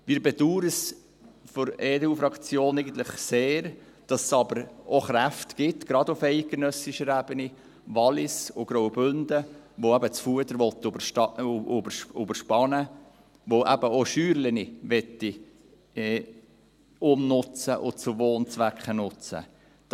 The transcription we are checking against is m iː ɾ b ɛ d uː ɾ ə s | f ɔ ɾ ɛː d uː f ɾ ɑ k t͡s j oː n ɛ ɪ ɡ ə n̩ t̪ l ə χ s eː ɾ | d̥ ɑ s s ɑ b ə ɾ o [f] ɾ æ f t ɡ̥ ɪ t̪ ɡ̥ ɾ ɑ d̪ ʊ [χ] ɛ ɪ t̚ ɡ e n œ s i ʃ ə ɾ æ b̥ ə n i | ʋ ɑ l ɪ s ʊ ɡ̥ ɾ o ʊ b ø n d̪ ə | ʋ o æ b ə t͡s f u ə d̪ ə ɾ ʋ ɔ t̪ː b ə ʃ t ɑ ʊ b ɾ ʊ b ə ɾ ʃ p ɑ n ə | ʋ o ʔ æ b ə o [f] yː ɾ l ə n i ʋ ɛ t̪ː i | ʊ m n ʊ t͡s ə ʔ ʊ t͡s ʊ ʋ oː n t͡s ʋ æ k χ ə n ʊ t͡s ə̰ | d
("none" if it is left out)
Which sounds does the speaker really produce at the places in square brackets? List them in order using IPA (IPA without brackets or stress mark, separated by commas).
χ, f, ʃ